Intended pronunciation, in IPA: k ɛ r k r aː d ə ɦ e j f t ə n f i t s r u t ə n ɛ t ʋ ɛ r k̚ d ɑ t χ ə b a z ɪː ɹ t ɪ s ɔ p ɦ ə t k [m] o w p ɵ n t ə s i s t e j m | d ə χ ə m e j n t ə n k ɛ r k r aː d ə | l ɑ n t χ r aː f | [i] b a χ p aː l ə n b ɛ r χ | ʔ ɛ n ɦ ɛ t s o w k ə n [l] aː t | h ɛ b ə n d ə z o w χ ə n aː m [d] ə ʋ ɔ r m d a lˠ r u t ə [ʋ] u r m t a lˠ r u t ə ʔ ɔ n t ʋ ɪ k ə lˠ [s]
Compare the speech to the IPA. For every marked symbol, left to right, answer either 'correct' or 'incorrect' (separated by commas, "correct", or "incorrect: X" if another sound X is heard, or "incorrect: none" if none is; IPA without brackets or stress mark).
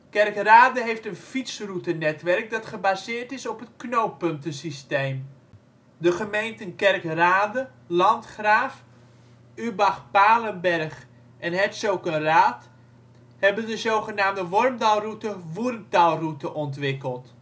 incorrect: n, incorrect: y, incorrect: r, correct, correct, incorrect: t